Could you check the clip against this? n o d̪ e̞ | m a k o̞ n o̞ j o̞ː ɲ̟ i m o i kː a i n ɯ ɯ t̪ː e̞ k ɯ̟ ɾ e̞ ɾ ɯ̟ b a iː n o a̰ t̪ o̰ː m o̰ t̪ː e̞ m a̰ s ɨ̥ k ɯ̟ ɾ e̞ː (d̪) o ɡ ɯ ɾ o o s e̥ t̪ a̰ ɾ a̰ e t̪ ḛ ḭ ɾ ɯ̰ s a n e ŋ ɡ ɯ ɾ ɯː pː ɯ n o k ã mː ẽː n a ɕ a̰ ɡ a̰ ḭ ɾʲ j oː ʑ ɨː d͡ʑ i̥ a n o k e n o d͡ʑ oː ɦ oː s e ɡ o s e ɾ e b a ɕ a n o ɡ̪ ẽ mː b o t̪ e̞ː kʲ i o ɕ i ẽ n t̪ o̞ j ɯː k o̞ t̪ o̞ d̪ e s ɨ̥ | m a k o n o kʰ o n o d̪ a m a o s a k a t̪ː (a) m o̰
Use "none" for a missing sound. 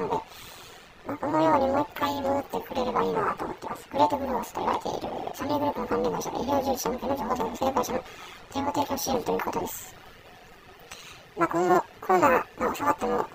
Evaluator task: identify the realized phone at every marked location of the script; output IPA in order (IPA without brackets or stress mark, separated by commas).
t̪, e